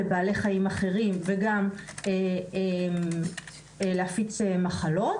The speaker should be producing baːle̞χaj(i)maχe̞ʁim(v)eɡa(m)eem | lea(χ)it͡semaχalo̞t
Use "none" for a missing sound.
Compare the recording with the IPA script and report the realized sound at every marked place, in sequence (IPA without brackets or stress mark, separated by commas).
i, v, m, f